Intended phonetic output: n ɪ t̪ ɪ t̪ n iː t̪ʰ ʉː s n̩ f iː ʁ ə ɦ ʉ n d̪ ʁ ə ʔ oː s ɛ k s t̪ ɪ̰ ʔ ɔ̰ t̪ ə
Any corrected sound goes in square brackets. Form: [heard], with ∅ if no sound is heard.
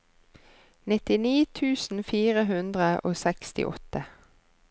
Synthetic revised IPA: n ɪ t̪ ɪ [∅] n iː t̪ʰ ʉː s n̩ f iː ʁ ə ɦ ʉ n d̪ ʁ ə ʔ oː s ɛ k s t̪ ɪ̰ ʔ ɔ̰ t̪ ə